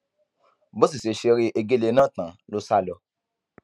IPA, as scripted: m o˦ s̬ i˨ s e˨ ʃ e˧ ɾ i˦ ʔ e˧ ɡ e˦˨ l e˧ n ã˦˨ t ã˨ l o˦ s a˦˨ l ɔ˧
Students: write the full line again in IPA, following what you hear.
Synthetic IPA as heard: b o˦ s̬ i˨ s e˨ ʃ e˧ ɾ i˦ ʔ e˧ ɡ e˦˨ l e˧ n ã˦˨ t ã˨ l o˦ s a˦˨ l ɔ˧